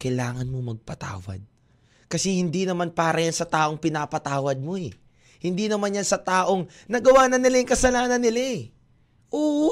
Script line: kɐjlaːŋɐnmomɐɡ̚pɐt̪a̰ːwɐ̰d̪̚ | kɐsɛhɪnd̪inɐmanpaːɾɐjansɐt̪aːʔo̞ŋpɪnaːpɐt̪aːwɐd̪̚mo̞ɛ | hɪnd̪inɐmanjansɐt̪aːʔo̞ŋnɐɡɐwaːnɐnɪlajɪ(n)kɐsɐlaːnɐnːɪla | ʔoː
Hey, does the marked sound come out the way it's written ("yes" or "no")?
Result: no